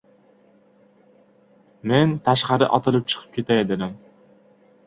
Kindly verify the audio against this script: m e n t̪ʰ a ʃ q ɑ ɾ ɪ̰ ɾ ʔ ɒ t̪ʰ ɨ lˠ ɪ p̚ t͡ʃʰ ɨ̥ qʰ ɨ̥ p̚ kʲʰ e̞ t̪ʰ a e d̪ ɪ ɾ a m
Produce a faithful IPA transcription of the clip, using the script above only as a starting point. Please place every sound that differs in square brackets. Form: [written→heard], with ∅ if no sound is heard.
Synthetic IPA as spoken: m e n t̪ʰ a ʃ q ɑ ɾ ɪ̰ [ɾ→∅] ʔ ɒ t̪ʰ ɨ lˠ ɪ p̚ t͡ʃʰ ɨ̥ qʰ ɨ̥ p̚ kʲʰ e̞ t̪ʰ a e d̪ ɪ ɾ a m